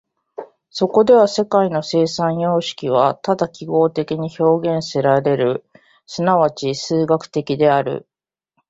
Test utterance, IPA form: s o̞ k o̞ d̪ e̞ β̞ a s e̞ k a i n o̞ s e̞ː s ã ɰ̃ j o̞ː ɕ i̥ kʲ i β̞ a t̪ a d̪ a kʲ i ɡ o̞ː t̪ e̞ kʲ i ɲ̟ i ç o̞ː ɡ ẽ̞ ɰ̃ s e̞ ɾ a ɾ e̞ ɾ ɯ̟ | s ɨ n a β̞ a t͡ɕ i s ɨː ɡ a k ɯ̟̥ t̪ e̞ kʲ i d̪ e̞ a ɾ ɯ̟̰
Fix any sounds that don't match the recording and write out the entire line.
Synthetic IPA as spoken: s o̞ k o̞ d̪ e̞ β̞ a s e̞ k a i n o̞ s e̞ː s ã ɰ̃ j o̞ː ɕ i̥ kʲ i β̞ a t̪ a d̪ a kʲ i ɡ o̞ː t̪ e̞ kʲ i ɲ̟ i ç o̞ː ɡ ẽ̞ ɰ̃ s e̞ ɾ a ɾ e̞ ɾ ɯ̟ | s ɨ n a β̞ a t͡ɕ i s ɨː ɡ a k ɯ̟̥ t̪ e̞ kʲ i d̪ e̞ a ɾ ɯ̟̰